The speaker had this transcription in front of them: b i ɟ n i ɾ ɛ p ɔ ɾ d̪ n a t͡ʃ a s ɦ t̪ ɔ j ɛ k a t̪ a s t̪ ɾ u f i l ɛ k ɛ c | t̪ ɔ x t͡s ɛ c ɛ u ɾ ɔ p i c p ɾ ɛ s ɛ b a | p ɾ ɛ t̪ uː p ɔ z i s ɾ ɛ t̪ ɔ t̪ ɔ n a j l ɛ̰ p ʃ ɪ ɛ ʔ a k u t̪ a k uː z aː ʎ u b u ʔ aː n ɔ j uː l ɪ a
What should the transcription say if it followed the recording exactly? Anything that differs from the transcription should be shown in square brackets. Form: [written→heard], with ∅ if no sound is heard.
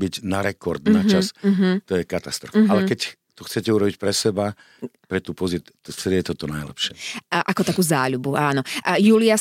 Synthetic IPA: b i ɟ n [i→a] ɾ ɛ [p→k] ɔ ɾ d̪ n a t͡ʃ a s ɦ t̪ ɔ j ɛ k a t̪ a s t̪ ɾ [u→ɔ] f [i→a] l ɛ k ɛ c | t̪ ɔ x t͡s ɛ c ɛ u ɾ ɔ [p→b] i c p ɾ ɛ s ɛ b a | p ɾ ɛ t̪ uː p ɔ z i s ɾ ɛ t̪ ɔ t̪ ɔ n a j l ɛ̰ p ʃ ɪ ɛ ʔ a k [u→ɔ] t̪ a k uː z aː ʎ u b u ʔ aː n ɔ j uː l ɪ a